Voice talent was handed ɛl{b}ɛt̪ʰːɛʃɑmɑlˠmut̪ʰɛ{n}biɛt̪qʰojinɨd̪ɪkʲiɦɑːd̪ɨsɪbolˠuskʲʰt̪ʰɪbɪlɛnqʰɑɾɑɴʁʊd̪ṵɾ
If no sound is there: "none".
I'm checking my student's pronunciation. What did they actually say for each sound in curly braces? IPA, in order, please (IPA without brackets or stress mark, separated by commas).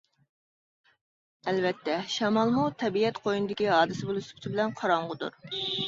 v, none